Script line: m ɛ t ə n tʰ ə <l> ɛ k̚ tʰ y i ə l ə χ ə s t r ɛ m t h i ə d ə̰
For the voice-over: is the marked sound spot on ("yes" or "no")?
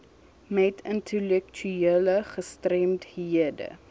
yes